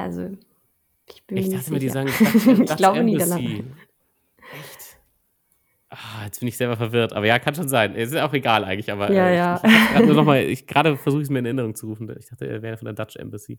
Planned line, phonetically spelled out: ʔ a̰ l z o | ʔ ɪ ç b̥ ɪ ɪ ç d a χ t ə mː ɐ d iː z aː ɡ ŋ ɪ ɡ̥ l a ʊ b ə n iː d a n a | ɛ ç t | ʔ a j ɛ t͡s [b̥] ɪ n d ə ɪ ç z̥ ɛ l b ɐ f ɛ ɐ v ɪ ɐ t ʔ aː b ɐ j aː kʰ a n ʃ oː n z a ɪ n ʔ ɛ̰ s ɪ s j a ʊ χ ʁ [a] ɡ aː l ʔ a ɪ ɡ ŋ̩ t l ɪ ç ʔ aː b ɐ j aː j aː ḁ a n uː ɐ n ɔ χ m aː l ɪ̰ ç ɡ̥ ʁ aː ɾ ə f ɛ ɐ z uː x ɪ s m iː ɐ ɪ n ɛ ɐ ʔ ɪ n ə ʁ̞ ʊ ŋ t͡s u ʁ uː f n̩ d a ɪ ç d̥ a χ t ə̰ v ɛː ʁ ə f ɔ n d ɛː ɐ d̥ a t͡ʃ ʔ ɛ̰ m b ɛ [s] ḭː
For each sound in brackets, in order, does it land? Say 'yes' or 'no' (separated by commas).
yes, no, yes